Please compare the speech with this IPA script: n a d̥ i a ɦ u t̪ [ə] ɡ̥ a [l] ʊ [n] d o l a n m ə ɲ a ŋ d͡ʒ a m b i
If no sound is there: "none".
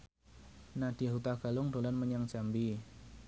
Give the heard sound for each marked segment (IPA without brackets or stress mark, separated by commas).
a, l, ŋ